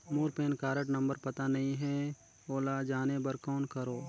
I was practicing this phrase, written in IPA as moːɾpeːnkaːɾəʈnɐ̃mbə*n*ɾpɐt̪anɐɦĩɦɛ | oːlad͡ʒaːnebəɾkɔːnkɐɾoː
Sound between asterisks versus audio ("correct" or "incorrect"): incorrect